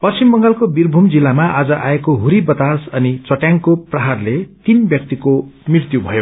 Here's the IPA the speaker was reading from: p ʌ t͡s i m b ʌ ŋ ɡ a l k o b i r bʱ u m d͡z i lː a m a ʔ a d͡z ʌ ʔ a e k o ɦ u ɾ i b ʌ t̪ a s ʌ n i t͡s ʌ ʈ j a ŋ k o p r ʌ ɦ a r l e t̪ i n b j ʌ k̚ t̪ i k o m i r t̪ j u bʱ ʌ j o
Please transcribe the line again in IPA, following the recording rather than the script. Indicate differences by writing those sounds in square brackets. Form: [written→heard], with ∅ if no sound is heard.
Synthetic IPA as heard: p ʌ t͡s i m b ʌ ŋ ɡ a l k o b i r bʱ u m d͡z i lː a m a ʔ a d͡z ʌ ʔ a e k o ɦ u ɾ i b ʌ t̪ a s ʌ n i t͡s ʌ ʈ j a ŋ k o p r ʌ ɦ a r l e t̪ i n b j ʌ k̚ t̪ i k o m i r t̪ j u bʱ ʌ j o